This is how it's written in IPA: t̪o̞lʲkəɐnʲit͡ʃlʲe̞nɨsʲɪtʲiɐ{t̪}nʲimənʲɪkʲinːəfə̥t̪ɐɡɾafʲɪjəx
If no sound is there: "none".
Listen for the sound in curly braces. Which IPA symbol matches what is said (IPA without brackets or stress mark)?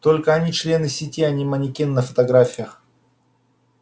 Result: none